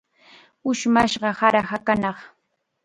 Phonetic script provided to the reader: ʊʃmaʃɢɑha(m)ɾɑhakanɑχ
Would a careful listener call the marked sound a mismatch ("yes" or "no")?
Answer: yes